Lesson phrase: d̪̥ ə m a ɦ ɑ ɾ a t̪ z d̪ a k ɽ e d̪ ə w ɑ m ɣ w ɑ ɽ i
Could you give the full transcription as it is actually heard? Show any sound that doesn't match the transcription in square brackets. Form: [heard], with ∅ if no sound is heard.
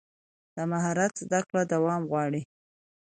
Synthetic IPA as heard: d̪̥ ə m a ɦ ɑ ɾ a t̪ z d̪ a k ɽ [a] d̪ [a] w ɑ m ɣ w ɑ ɽ i